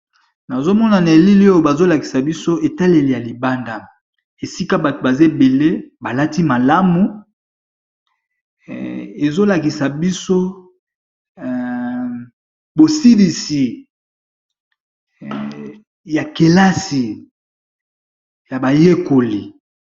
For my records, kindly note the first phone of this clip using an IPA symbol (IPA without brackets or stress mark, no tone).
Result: n